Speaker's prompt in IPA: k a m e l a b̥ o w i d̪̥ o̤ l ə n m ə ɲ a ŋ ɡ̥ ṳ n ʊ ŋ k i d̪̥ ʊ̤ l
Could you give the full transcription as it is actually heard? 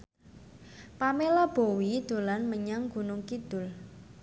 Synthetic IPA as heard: p a m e l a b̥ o w i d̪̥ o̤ l a n m ə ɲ a ŋ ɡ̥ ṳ n ʊ ŋ k i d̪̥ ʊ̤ l